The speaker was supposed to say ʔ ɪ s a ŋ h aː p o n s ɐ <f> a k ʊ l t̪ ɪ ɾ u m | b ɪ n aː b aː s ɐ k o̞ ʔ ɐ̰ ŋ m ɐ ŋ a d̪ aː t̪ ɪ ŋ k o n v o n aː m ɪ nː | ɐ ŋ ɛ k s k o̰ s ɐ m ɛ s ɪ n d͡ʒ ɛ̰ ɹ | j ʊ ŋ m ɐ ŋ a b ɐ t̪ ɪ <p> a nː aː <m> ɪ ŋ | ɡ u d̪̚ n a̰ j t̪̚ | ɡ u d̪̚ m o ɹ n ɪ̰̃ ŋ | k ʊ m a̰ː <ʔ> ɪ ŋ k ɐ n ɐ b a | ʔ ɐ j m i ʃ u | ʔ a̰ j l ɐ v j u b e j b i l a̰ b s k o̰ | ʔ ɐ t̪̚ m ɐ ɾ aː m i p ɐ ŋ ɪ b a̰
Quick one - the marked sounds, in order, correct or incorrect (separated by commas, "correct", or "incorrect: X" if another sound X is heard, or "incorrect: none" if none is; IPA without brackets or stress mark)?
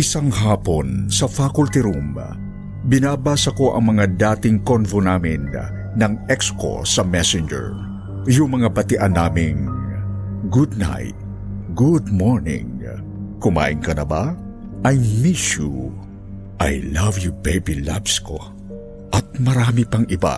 correct, incorrect: ʔ, correct, correct